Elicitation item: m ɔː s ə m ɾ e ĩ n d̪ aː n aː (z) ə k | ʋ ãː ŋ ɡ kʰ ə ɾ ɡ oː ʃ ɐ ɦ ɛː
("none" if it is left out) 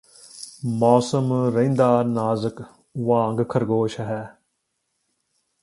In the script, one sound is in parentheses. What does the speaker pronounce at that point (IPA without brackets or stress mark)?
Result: z